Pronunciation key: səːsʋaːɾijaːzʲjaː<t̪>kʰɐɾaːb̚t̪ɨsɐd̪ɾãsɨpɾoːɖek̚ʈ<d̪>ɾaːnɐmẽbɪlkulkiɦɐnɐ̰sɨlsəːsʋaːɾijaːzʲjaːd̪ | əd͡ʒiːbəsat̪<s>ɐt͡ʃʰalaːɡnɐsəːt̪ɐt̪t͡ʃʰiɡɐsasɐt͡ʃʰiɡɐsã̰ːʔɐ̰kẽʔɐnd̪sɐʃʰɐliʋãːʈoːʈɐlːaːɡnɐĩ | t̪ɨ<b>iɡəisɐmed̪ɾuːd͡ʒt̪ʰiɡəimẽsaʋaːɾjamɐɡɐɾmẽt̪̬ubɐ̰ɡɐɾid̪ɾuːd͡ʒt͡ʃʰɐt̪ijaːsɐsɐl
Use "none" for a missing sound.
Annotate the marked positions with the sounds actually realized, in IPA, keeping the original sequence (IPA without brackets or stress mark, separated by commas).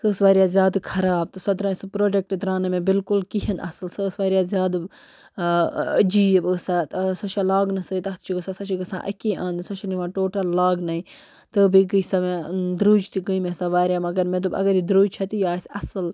d̪, d̪, s, b